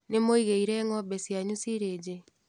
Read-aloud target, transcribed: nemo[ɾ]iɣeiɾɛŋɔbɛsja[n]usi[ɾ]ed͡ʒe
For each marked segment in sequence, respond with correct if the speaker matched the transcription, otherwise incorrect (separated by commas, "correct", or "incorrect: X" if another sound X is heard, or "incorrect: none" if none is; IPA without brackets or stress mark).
incorrect: none, incorrect: ɲ, correct